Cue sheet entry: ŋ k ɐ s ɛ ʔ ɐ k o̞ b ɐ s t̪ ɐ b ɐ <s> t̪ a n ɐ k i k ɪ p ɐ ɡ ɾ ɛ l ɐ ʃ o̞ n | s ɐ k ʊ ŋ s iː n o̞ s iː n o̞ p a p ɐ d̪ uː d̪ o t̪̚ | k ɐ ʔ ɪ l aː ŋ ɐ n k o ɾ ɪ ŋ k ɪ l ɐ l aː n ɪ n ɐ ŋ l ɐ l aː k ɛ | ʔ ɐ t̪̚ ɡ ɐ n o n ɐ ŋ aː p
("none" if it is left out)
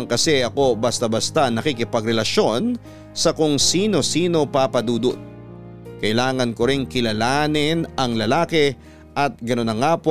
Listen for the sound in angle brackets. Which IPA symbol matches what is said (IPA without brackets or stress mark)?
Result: s